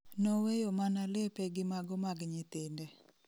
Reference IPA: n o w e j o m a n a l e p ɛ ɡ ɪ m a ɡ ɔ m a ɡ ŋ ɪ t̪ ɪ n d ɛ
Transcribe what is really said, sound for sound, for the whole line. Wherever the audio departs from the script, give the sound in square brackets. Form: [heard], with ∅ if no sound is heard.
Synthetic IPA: n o w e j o m a n a l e p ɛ ɡ ɪ m a ɡ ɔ m a ɡ [ɲ] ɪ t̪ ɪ n d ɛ